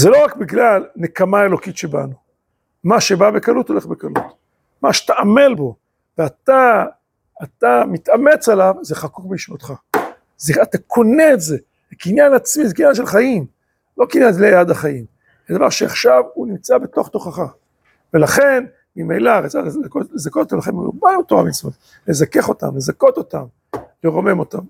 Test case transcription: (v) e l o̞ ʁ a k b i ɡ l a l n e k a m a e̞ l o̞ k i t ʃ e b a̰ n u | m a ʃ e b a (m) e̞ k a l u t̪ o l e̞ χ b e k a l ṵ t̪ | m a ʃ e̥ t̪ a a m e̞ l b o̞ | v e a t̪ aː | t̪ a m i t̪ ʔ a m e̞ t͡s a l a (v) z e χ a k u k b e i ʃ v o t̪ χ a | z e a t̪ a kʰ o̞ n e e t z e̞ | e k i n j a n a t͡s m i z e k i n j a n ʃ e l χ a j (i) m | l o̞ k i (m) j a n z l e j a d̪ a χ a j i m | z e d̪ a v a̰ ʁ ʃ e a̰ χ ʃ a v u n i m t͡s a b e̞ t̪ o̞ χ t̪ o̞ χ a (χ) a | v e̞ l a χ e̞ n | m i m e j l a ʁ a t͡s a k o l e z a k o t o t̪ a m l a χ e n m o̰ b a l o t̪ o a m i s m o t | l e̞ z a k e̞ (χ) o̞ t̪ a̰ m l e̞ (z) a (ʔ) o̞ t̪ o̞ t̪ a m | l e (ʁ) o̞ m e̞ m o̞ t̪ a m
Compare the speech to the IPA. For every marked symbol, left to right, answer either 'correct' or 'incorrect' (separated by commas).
incorrect, incorrect, correct, correct, incorrect, correct, correct, correct, incorrect, correct